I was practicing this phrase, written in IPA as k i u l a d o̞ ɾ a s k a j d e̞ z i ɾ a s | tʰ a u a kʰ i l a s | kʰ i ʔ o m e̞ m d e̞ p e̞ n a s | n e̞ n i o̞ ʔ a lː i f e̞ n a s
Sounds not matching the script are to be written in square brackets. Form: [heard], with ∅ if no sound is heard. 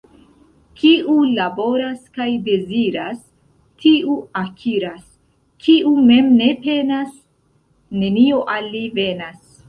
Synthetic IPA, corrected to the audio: k i u l a [b] o̞ ɾ a s k a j d e̞ z i ɾ a s | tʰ [i] u a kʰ i [ɾ] a s | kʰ i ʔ [u] m e̞ m [n] e̞ p e̞ n a s | n e̞ n i o̞ ʔ a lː i [v] e̞ n a s